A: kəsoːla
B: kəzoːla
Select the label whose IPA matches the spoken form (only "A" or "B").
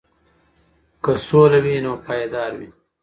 A